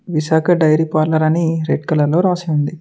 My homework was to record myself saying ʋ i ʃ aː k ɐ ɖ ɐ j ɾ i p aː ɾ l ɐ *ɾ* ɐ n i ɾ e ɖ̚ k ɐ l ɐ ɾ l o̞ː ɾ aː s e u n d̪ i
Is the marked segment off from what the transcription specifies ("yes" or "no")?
no